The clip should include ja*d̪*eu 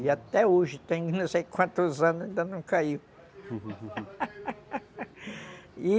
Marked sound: incorrect: t̪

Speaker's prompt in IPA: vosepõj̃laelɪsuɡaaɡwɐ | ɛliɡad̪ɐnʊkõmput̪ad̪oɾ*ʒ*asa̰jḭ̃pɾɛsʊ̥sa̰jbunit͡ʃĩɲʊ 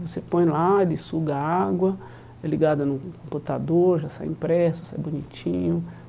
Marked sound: correct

